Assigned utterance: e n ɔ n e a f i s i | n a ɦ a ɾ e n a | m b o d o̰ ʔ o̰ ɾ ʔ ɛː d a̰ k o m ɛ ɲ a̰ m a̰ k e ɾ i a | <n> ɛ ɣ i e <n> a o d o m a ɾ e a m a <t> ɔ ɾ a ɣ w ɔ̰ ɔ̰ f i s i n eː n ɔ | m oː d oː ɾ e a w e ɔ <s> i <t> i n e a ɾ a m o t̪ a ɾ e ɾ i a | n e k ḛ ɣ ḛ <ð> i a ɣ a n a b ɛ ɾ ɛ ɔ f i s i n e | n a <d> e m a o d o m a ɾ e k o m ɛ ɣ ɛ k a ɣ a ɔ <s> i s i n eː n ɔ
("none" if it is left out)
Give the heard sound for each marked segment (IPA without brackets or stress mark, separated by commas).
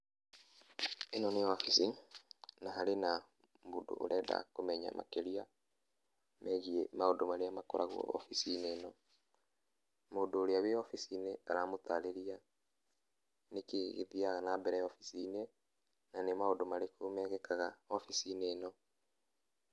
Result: m, m, k, f, s, ð, n, f